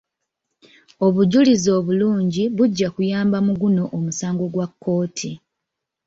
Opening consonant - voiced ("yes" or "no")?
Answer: yes